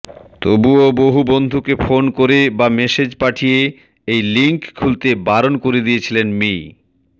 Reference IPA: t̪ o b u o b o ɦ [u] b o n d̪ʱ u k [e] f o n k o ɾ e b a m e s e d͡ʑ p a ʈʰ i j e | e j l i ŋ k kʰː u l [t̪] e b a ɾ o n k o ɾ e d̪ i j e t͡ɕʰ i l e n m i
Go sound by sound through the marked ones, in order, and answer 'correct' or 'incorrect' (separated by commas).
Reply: correct, correct, correct